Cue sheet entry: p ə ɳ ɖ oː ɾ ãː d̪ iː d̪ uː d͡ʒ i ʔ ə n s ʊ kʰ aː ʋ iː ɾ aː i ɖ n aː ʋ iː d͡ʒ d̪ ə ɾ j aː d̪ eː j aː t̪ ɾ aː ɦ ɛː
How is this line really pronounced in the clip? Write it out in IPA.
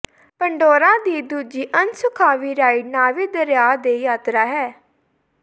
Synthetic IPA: p ə ɳ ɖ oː ɾ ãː d̪ iː d̪ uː d͡ʒ iː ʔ ə n s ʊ kʰ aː ʋ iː ɾ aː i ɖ n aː ʋ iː d̪ ə ɾ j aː d̪ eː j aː t̪ ɾ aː ɦ ɛː